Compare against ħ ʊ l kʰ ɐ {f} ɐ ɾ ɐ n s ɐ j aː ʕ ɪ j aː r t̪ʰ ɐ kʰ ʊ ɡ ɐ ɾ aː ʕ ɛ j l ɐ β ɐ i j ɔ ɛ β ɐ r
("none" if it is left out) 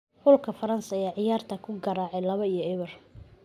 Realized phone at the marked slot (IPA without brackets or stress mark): f